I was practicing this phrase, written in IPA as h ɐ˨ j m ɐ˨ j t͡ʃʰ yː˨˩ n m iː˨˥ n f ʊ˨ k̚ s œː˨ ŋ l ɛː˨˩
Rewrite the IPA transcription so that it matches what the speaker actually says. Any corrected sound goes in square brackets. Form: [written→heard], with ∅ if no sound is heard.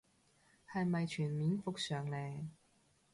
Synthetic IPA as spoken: h ɐ˨ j m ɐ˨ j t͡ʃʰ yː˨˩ n m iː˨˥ n f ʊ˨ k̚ s œː˨ ŋ l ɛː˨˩